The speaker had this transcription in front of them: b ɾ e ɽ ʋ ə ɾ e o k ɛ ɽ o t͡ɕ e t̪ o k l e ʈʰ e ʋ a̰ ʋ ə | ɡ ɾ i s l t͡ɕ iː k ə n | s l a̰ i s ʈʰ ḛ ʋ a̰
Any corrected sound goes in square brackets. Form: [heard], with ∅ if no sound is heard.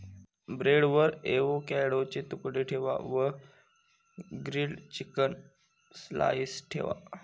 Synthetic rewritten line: b ɾ e ɽ ʋ ə ɾ e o k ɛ ɽ o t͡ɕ e t̪ [u] k [ɽ] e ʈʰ e ʋ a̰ ʋ ə | ɡ ɾ i [∅] l t͡ɕ [i] k ə n | s l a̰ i s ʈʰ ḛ ʋ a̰